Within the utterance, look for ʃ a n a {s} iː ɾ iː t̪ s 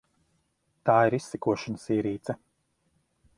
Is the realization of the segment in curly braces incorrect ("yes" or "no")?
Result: no